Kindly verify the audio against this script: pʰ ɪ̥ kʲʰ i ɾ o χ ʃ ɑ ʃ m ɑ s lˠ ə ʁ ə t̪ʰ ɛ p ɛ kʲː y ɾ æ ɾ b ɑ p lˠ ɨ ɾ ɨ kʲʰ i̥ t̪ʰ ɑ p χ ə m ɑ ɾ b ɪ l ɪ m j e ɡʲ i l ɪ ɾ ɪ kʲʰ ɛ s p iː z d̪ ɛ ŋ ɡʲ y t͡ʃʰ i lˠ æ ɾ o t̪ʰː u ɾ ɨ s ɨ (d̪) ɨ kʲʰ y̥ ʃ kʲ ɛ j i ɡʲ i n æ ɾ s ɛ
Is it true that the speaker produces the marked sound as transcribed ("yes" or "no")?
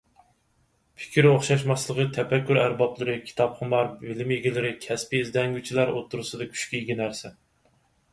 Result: yes